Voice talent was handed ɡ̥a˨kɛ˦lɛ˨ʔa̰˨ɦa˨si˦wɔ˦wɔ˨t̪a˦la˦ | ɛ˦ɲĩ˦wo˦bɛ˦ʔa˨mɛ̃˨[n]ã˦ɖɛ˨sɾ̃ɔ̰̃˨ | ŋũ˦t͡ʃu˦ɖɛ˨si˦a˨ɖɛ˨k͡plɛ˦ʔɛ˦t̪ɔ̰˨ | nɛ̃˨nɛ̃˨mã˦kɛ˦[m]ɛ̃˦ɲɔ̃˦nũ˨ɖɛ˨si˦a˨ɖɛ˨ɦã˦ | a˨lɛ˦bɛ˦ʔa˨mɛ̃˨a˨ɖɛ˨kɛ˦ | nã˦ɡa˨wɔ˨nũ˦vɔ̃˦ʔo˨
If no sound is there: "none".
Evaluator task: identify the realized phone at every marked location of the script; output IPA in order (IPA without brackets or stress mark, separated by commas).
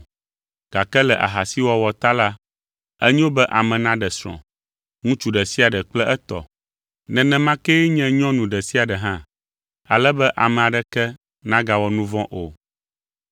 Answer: n, ɲ